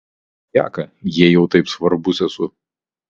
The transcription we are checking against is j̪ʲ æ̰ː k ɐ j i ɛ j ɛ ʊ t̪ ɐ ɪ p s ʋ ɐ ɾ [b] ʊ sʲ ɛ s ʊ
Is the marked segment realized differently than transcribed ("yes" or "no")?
no